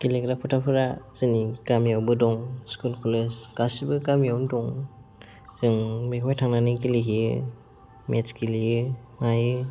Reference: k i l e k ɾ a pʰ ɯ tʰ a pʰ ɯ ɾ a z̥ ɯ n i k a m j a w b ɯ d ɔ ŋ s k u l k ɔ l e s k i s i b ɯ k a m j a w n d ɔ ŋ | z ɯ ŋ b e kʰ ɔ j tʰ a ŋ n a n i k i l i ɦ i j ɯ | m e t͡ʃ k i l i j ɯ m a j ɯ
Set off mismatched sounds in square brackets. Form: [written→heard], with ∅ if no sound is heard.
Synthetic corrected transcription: k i l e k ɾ a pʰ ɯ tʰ a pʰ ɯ ɾ a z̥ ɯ n i k a m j a w b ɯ d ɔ ŋ s k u l k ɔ l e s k [i→a] s i b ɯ k a m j a w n d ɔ ŋ | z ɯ ŋ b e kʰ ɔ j tʰ a ŋ n a n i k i l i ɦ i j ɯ | m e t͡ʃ k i l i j ɯ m a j ɯ